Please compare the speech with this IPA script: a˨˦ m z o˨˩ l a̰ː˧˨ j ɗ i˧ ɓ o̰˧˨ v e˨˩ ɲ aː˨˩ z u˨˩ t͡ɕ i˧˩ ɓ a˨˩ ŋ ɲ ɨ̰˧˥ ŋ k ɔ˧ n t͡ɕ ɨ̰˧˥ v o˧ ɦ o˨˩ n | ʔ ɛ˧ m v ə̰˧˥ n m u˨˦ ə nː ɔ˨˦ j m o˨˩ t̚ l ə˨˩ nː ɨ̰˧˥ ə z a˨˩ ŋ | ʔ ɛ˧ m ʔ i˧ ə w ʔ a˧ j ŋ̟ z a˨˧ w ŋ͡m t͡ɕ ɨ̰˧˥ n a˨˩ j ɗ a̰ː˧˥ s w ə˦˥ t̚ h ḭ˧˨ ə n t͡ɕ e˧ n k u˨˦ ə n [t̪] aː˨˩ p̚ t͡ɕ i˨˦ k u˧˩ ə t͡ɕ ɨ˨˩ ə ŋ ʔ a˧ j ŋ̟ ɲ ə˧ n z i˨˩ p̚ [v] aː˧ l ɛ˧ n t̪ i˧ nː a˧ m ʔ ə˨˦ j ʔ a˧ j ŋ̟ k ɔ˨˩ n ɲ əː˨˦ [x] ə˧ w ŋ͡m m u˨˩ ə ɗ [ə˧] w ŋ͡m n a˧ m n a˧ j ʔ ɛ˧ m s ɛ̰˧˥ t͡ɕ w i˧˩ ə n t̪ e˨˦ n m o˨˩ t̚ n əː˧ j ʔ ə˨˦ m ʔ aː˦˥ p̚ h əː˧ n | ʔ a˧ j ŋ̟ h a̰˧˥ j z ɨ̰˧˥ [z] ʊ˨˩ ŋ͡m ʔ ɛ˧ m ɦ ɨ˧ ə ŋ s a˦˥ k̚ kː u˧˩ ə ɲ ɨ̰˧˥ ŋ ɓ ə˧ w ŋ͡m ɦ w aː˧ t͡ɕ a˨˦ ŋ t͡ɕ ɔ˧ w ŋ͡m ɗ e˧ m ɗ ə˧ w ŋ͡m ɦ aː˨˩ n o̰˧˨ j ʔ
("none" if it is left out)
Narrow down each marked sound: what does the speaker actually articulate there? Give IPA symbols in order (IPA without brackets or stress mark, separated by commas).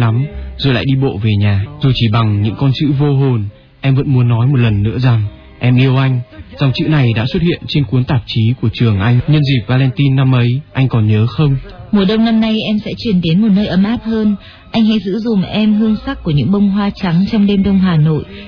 t̪, v, x, ə˧, z